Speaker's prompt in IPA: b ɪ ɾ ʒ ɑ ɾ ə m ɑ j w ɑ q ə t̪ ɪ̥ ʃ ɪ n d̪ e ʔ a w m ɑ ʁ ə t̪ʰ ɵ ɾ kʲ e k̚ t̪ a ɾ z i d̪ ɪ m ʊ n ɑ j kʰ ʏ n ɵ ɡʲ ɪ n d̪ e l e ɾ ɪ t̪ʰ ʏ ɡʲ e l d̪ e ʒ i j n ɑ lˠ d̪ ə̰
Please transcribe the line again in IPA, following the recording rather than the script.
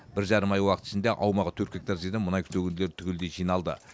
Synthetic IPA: b ɪ ɾ ʒ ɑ ɾ ə m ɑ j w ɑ q ə t̪ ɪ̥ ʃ ɪ n d̪ e ʔ ɑ w m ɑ ʁ ə t̪ʰ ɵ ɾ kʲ e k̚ t̪ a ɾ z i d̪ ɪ m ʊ n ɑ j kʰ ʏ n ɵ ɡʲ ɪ n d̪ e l e ɾ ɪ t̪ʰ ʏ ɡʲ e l d̪ e ʒ i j n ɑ lˠ d̪ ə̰